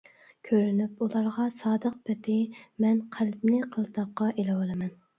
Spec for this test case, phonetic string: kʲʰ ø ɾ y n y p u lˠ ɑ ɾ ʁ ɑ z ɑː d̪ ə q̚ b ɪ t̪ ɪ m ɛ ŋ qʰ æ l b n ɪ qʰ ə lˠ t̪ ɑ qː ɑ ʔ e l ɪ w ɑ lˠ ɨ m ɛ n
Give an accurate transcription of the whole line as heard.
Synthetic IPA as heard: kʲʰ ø ɾ y n y p u lˠ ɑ ɾ ʁ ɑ s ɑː d̪ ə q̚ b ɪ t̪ ɪ m ɛ n qʰ æ l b n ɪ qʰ ə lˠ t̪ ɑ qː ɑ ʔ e l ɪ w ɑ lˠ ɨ m ɛ n